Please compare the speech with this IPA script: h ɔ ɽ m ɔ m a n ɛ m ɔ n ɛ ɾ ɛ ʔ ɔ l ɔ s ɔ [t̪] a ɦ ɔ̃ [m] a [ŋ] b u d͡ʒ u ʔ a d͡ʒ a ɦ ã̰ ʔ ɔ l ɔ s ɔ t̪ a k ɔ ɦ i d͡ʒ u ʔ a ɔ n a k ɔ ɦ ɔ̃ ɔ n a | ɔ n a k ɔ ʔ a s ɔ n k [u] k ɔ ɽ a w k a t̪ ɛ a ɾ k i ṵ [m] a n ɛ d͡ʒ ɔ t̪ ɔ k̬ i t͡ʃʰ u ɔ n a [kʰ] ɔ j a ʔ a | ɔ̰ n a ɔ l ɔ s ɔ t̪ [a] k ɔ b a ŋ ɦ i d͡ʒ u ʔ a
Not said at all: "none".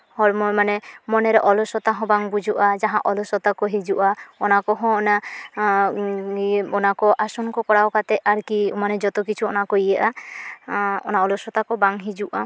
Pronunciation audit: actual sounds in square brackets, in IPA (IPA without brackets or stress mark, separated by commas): t̪, b, ŋ, ɔ, m, k, a